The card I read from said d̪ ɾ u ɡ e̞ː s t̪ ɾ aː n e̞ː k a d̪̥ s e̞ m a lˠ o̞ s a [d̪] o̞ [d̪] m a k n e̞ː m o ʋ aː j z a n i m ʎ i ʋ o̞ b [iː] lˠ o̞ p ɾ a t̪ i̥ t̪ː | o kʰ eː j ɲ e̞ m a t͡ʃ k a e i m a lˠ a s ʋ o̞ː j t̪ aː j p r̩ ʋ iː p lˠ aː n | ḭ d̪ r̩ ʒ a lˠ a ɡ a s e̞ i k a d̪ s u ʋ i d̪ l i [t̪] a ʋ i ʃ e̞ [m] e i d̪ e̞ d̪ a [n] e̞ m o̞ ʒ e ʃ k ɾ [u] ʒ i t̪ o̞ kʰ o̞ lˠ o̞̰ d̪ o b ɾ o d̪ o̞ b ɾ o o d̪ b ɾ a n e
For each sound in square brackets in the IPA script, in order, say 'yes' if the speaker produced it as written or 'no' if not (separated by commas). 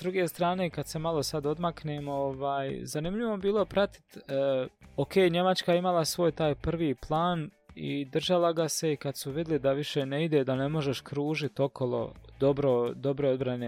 yes, yes, yes, no, no, yes, no